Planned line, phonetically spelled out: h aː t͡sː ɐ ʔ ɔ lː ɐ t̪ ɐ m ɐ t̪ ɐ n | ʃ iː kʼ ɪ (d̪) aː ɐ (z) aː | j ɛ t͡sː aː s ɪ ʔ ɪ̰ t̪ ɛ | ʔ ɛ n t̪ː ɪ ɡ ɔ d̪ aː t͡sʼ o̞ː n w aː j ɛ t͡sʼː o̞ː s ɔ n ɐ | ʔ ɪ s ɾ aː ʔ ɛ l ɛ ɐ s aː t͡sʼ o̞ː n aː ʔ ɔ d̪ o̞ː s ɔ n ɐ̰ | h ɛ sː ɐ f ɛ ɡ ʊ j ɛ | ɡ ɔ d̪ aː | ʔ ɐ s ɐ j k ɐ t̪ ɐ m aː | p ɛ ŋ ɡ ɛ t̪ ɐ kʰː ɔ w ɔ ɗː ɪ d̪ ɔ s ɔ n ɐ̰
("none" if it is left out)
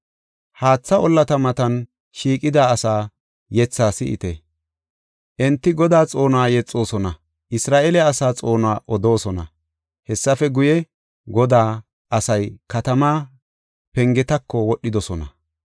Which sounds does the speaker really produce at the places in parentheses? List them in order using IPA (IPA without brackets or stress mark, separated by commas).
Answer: d̪, s